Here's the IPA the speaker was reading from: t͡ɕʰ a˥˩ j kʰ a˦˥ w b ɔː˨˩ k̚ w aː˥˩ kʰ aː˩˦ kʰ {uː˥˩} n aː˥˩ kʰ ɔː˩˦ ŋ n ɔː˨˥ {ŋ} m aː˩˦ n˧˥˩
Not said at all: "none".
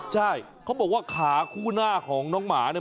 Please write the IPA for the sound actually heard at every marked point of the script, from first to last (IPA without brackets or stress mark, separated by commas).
uː˥˩, ŋ